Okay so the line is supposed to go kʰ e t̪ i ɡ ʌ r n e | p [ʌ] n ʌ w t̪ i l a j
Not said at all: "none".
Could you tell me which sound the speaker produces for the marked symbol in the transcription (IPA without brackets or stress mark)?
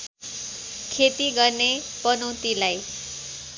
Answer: ʌ